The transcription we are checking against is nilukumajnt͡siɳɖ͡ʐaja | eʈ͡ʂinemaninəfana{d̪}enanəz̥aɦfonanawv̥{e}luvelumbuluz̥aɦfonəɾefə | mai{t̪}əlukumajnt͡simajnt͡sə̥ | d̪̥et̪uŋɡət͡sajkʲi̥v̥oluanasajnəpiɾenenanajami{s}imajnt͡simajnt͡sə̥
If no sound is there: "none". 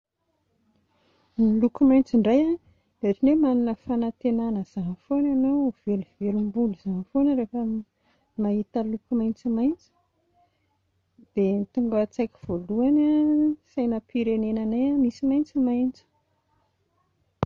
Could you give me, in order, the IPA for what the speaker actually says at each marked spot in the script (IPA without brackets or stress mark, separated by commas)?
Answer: t̪, e, t̪, s